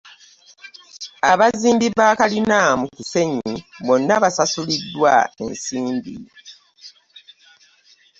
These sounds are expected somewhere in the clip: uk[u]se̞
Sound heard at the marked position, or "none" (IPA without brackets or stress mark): u